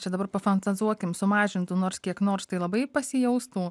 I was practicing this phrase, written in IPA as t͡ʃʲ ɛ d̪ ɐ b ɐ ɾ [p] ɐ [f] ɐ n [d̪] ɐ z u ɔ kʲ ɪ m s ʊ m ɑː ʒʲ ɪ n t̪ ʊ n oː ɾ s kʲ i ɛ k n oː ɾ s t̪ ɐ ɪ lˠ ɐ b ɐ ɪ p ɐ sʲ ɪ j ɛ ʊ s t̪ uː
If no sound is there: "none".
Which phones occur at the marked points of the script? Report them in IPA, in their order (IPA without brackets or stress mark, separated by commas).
p, f, t̪